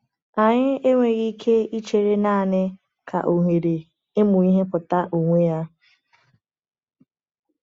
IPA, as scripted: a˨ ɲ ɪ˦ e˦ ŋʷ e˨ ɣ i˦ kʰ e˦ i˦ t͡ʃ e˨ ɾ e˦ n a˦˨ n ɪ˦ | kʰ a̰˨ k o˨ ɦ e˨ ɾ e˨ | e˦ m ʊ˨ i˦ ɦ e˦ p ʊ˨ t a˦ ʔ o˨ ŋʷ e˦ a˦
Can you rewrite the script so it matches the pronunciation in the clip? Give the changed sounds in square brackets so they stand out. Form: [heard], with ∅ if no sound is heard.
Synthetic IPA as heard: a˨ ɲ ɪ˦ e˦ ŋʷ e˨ ɣ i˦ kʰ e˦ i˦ t͡ʃ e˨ ɾ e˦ n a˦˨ n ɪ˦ | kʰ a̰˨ [ʔ] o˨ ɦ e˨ ɾ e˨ | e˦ m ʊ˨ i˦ ɦ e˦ p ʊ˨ t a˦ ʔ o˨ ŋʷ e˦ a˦